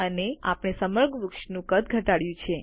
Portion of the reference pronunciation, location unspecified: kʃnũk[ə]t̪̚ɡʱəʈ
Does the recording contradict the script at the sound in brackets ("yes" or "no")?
no